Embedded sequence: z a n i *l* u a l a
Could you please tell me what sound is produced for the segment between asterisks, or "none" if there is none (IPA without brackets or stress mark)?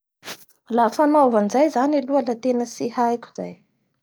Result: l